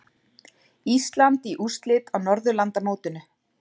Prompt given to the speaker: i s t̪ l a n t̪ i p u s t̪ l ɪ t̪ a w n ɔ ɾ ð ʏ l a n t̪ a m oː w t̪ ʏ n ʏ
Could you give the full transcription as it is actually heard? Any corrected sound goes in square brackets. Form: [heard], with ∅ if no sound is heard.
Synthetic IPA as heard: i s t̪ l a n t̪ i [ʔ] u s t̪ l ɪ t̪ a w n ɔ ɾ ð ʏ l a n t̪ a m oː w t̪ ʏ n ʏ